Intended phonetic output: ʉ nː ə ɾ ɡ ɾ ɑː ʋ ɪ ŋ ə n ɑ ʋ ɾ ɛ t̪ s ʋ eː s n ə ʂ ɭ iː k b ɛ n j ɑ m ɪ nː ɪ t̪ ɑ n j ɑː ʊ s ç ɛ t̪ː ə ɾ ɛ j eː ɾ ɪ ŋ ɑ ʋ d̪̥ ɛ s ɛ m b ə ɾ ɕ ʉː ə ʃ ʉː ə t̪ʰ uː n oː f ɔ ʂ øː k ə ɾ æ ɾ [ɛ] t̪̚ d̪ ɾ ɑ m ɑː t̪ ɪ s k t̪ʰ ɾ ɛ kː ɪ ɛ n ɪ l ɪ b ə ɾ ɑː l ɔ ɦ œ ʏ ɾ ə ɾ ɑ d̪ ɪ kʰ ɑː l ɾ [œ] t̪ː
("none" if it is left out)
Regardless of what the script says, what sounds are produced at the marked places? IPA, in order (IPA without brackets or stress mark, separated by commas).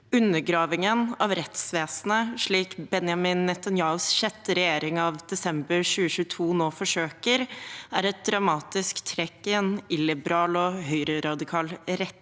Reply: ɛ, ɛ